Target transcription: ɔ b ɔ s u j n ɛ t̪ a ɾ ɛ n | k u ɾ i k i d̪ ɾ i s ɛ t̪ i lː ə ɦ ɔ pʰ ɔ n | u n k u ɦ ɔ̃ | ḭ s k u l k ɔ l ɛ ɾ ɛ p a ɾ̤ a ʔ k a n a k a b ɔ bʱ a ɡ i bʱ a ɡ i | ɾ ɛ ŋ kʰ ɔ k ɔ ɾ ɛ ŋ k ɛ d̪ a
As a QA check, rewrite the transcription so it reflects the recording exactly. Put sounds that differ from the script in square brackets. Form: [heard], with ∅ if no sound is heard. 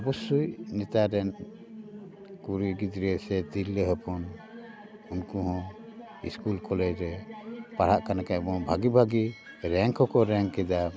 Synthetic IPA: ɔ b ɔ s u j n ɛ t̪ a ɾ ɛ n | k u ɾ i [ɡ] i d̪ ɾ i s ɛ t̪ i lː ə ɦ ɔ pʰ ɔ n | u n k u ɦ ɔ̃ | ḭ s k u l k ɔ l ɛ ɾ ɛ p a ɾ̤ a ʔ k a n a k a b ɔ bʱ a ɡ i bʱ a ɡ i | ɾ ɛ ŋ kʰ ɔ k ɔ ɾ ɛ ŋ k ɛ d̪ a